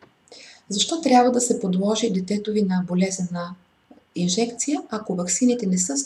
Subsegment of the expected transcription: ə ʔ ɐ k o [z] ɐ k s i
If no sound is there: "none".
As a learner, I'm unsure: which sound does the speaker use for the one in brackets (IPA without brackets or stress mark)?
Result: v